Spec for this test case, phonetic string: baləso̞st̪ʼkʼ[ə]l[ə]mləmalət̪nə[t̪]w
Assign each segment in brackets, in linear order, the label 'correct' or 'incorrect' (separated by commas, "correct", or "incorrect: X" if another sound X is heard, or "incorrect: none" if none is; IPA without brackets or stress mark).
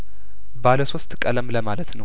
correct, correct, incorrect: none